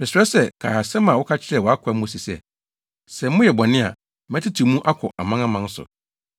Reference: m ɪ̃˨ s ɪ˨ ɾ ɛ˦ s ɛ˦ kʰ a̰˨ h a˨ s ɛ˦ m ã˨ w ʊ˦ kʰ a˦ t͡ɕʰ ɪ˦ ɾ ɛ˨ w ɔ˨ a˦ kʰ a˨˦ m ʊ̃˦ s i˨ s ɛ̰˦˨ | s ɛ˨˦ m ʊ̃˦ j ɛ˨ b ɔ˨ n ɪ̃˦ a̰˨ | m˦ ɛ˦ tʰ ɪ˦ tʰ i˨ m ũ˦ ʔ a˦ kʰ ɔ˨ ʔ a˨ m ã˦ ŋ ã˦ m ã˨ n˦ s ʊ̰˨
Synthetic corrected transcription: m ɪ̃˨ s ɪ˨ ɾ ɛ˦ s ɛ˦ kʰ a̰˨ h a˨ s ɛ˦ m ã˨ w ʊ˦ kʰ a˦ t͡ɕʰ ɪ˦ ɾ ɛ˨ w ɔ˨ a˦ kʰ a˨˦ m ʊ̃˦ s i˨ s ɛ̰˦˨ | s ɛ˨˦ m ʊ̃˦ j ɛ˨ b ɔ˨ n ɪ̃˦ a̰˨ | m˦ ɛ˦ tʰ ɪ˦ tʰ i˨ m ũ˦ ʔ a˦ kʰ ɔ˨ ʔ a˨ m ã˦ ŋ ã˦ m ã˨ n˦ s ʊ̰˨